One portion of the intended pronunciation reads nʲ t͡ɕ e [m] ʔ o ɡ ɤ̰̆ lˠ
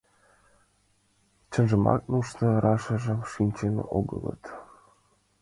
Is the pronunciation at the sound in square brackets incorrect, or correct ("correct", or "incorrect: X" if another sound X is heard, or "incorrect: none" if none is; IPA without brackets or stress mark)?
incorrect: n